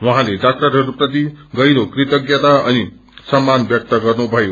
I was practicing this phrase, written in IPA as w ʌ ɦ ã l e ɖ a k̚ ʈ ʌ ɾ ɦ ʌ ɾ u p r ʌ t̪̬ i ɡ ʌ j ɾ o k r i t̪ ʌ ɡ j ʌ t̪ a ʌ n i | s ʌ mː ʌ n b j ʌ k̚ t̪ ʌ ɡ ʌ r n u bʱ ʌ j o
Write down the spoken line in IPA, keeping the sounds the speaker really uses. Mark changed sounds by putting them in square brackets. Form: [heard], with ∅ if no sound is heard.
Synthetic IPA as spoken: w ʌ ɦ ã l e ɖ a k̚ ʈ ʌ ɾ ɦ ʌ ɾ u p r ʌ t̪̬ i ɡ ʌ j ɾ o k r i t̪ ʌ ɡ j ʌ t̪ a ʌ n i | s ʌ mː [a] n b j ʌ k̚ t̪ ʌ ɡ ʌ r n u bʱ ʌ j o